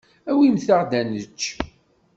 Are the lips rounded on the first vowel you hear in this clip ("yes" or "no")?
no